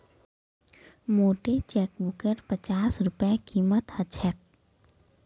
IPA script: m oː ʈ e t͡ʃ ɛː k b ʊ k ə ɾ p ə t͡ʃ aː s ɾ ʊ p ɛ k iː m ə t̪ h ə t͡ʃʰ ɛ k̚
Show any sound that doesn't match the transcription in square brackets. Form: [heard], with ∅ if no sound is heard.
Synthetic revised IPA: m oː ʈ e t͡ʃ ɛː k b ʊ k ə ɾ p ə t͡ʃ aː s ɾ ʊ p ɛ k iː m ə t̪ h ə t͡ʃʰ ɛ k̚